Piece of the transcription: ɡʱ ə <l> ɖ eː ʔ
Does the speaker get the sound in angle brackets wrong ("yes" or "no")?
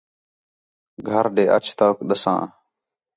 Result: yes